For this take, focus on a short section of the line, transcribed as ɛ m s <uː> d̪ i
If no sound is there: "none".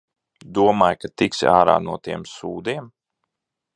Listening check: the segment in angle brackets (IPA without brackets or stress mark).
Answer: uː